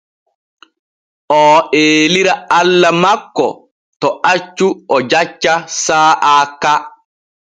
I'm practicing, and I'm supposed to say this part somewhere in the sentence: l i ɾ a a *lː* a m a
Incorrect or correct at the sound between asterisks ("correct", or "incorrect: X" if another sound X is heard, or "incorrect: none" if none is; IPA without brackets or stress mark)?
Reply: correct